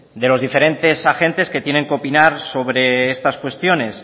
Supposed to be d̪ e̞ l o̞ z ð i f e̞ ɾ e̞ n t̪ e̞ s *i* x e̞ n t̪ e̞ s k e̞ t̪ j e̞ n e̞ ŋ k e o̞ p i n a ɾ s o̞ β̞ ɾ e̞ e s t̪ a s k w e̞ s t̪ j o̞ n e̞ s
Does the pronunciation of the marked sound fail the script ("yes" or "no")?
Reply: yes